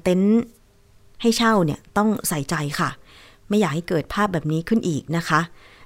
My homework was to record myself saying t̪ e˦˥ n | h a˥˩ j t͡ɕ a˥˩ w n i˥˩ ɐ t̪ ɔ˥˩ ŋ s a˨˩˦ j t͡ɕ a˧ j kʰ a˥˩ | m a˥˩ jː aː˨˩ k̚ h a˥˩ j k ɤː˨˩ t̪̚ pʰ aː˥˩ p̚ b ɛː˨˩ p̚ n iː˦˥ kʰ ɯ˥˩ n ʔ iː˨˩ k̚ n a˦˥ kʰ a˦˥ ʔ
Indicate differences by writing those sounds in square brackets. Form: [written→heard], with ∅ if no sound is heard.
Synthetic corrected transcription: t̪ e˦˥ n | h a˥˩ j [t͡ɕ→t͡ɕʰ] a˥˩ w n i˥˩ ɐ t̪ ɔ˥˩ ŋ s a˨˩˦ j t͡ɕ a˧ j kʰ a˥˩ | m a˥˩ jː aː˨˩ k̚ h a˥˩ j k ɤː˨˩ t̪̚ pʰ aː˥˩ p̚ b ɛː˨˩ p̚ n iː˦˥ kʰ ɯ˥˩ n ʔ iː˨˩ k̚ n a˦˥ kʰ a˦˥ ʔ